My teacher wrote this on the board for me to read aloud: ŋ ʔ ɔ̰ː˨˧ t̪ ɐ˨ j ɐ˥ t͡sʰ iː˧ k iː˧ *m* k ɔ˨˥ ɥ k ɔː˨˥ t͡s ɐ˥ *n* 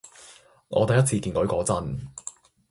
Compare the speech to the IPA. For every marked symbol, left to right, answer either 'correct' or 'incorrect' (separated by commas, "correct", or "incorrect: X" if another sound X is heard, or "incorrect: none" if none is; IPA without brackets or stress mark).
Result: incorrect: n, correct